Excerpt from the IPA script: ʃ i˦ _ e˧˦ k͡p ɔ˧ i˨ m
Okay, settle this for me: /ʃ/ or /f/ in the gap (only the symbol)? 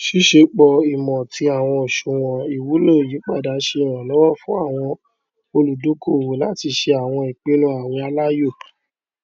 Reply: ʃ